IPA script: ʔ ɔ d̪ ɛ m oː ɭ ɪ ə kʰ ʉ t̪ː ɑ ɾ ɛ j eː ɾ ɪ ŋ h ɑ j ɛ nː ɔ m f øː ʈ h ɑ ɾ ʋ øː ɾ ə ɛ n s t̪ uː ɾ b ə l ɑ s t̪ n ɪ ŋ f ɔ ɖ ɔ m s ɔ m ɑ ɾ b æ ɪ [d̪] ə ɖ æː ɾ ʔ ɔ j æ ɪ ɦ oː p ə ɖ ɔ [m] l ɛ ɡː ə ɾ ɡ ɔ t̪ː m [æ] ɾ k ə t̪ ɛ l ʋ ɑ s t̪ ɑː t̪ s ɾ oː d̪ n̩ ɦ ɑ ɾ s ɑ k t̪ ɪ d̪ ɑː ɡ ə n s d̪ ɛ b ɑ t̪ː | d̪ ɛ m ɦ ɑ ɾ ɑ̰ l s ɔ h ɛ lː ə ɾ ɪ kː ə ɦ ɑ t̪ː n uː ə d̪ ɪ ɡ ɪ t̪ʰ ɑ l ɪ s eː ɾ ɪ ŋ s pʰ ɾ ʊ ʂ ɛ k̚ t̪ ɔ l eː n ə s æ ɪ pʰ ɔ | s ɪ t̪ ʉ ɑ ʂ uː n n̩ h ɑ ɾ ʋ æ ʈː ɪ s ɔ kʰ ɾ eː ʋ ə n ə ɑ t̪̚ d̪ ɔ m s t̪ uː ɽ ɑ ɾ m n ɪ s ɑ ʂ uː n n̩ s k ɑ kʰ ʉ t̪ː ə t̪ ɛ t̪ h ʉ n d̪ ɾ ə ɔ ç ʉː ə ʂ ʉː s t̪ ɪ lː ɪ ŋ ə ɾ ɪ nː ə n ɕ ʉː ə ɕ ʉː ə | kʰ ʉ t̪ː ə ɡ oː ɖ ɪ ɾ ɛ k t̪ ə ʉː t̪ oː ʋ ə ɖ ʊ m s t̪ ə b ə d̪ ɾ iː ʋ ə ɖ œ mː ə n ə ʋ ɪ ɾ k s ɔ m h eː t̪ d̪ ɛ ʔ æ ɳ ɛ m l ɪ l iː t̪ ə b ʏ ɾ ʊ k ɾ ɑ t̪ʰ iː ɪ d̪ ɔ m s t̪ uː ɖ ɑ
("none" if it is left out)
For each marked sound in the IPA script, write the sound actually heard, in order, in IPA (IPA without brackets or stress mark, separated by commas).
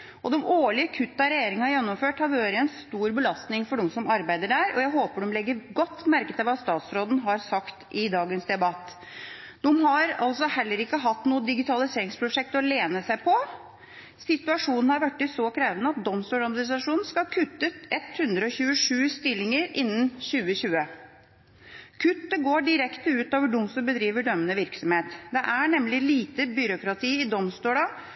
d̪, m, æ